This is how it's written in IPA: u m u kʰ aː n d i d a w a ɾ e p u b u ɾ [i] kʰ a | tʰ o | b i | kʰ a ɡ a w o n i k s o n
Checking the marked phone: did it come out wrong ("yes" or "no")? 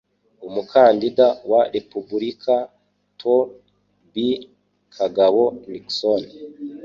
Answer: no